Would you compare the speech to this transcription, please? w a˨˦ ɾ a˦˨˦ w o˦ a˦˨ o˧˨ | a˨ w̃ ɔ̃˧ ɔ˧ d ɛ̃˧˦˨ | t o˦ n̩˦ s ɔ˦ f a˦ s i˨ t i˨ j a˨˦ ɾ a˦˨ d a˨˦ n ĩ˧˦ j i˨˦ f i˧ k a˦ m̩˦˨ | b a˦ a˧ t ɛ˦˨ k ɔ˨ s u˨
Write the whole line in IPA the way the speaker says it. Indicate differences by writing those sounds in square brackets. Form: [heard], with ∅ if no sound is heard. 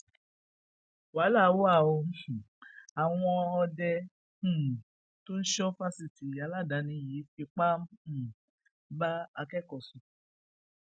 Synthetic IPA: w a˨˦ [l] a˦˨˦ w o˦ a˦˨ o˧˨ | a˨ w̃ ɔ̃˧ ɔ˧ d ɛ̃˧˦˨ | t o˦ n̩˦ [ʃ] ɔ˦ f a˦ s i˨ t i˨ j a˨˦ [l] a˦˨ d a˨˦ n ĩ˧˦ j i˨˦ f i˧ [k͡p] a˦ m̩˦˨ | b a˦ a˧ [k] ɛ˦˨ k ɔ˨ s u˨